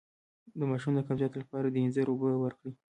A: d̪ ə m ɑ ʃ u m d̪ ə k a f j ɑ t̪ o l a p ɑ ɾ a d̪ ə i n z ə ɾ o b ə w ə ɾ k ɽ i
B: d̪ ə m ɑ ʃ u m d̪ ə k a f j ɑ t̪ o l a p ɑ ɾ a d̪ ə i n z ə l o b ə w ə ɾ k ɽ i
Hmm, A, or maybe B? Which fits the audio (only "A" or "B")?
A